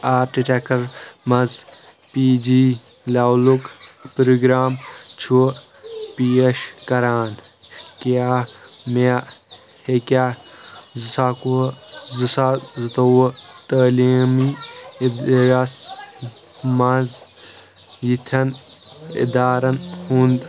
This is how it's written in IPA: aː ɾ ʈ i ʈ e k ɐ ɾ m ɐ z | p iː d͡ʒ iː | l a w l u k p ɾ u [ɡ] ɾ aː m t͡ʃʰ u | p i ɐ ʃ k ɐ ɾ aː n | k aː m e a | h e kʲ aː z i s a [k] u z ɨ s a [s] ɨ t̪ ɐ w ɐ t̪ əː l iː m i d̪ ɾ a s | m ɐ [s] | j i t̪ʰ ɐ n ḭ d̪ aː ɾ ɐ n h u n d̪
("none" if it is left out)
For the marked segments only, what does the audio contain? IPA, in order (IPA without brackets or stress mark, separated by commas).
ɡ, k, z, z